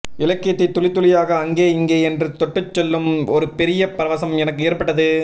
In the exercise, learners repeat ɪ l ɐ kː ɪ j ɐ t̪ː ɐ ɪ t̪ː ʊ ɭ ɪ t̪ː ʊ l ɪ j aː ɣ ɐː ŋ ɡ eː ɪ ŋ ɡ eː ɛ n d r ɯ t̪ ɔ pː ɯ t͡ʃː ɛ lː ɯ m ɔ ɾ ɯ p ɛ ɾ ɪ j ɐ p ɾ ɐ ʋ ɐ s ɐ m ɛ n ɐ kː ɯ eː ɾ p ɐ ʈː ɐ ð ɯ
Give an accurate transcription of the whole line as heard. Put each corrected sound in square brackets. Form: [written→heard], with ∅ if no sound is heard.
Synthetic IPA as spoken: ɪ l ɐ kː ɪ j ɐ t̪ː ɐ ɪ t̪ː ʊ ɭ ɪ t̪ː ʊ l ɪ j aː ɣ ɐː ŋ ɡ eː ɪ ŋ ɡ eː ɛ n d r ɯ t̪ ɔ [pː→ʈː] ɯ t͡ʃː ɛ lː ɯ m ɔ ɾ ɯ p ɛ ɾ ɪ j ɐ p ɾ ɐ ʋ ɐ s ɐ m ɛ n ɐ kː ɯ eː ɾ p ɐ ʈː ɐ ð ɯ